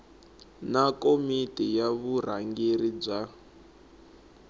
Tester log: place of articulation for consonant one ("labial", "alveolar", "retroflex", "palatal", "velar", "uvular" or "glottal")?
alveolar